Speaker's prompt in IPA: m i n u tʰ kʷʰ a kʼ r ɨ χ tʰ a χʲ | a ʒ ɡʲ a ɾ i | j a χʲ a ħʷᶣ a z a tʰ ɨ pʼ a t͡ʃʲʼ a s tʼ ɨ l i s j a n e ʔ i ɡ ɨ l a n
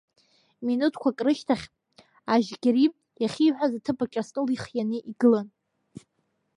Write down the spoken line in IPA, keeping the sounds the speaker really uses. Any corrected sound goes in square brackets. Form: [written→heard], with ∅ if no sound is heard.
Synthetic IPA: m i n u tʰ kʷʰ a kʼ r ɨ [χ→ʃ] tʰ a χʲ | a ʒ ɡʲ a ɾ i | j a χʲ [a→i] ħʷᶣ a z a tʰ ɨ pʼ a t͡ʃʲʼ a s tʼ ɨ l i [s→χ] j a n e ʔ i ɡ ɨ l a n